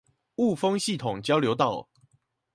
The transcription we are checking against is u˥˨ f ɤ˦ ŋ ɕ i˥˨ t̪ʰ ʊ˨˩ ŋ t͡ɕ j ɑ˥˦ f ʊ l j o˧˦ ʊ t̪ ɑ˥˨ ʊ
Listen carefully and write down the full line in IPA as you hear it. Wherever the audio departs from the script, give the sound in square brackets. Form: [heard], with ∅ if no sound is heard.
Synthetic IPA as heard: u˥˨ f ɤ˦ ŋ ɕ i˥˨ t̪ʰ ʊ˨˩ ŋ t͡ɕ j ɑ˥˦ [∅] ʊ l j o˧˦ ʊ t̪ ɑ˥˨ ʊ